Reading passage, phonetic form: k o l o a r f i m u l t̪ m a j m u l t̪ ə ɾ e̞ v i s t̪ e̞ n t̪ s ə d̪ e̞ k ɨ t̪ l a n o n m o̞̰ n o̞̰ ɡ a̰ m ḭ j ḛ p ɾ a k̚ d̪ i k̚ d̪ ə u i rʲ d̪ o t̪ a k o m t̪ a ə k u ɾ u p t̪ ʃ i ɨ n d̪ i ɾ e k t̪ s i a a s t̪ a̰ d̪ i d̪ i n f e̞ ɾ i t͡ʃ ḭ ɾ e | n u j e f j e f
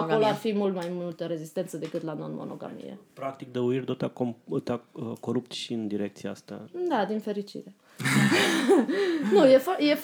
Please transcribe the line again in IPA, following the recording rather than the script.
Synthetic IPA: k o l o a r f i m u l t̪ m a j m u l t̪ ə ɾ e̞ z i s t̪ e̞ n t̪ s ə d̪ e̞ k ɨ t̪ l a n o n m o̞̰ n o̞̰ ɡ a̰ m ḭ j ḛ p ɾ a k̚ t̪ i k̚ d̪ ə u i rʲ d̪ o t̪ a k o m t̪ a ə k o ɾ u p t̪ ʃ i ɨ n d̪ i ɾ e k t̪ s i a a s t̪ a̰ d̪ a d̪ i n f e̞ ɾ i t͡ʃ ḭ ɾ e | n u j e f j e f